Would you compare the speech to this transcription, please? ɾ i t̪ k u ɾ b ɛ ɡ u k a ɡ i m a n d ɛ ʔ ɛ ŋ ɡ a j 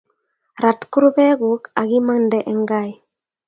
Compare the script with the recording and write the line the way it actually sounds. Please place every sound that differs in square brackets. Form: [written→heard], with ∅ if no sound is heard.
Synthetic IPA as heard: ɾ [i→a] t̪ k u ɾ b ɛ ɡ u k a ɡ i m a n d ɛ ʔ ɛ ŋ ɡ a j

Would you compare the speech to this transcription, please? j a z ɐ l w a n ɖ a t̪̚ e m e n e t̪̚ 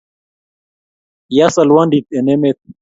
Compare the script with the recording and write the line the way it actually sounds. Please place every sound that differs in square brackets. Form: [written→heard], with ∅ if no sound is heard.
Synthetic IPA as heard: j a [z→s] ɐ l w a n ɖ [a→i] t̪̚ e [m→n] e [n→m] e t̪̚

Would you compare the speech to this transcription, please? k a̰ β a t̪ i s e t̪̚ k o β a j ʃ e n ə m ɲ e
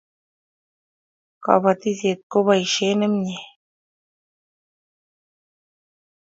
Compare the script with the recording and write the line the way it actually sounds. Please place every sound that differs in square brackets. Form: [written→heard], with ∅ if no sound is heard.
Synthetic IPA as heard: k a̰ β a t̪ i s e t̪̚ k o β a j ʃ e n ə m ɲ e

